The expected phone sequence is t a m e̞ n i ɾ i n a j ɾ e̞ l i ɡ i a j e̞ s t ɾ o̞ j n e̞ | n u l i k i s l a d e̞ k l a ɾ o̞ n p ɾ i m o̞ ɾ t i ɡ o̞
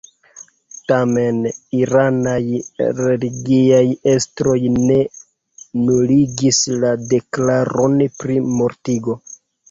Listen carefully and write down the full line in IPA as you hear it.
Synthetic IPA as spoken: t a m e̞ n i ɾ a n a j ɾ e̞ l i ɡ i a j e̞ s t ɾ o̞ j n e̞ | n u l i ɡ i s l a d e̞ k l a ɾ o̞ n p ɾ i m o̞ ɾ t i ɡ o̞